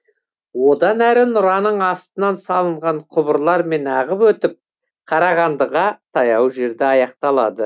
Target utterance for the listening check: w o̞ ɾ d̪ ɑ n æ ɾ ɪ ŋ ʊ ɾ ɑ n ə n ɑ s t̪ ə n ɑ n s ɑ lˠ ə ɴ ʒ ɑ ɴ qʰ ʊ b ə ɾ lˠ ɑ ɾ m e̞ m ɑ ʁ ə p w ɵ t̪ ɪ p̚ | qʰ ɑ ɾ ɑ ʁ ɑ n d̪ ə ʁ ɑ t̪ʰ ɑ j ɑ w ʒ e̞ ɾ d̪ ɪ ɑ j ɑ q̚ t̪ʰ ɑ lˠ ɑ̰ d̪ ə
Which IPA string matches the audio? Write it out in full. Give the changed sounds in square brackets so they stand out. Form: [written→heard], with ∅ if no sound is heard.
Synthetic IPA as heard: w o̞ [ɾ→∅] d̪ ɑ n æ ɾ ɪ [ŋ→n] ʊ ɾ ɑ n ə [n→ɴ] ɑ s t̪ ə n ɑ n s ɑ lˠ ə ɴ [ʒ→ʁ] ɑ ɴ qʰ ʊ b ə ɾ lˠ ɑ ɾ m e̞ [m→n] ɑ ʁ ə p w ɵ t̪ ɪ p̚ | qʰ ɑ ɾ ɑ ʁ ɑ n d̪ ə ʁ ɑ t̪ʰ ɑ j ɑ w ʒ e̞ ɾ d̪ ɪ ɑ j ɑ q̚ [t̪ʰ→t̪] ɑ lˠ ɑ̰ d̪ ə